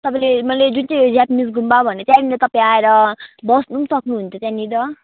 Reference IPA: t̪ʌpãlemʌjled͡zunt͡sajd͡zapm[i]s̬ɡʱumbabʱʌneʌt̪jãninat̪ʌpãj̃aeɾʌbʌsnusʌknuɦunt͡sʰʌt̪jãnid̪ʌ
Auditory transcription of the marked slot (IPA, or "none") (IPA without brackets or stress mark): i